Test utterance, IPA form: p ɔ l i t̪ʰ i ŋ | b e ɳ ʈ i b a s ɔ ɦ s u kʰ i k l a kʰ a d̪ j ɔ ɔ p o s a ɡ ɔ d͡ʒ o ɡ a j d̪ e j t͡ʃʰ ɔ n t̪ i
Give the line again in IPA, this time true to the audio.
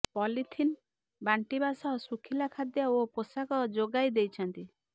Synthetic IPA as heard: p ɔ l i t̪ʰ i n | b a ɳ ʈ i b a s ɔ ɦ s u kʰ i l a kʰ a d̪ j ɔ o p o s a k ɔ d͡ʒ o ɡ a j d̪ e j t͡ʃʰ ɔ n t̪ i

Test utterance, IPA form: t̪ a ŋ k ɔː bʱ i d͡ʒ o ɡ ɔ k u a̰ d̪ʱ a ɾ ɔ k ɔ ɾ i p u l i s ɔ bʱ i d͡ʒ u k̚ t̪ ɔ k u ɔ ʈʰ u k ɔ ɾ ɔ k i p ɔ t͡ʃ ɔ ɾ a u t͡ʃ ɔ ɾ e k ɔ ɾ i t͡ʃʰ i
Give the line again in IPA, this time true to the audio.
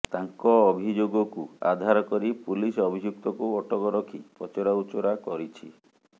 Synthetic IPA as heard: t̪ a ŋ k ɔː bʱ i d͡ʒ o ɡ ɔ k u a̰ d̪ʱ a ɾ ɔ k ɔ ɾ i p u l i s ɔ bʱ i d͡ʒ u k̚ t̪ ɔ k u ɔ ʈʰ ɔ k ɔ ɾ ɔ kʰ i p ɔ t͡ʃ ɔ ɾ a u t͡ʃ ɔ ɾ a k ɔ ɾ i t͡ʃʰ i

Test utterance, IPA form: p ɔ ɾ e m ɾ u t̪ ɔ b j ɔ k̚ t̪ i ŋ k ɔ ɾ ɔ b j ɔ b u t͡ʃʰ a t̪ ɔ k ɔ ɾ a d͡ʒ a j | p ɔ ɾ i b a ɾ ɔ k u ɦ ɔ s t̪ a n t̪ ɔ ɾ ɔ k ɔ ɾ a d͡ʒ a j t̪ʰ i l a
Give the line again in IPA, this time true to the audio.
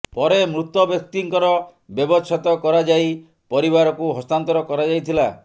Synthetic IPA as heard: p ɔ ɾ e m ɾ u t̪ ɔ b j ɔ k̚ t̪ i ŋ k ɔ ɾ ɔ b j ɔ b ɔ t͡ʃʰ a t̪ ɔ k ɔ ɾ a d͡ʒ a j | p ɔ ɾ i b a ɾ ɔ k u ɦ ɔ s t̪ a n t̪ ɔ ɾ ɔ k ɔ ɾ a d͡ʒ a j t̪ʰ i l a

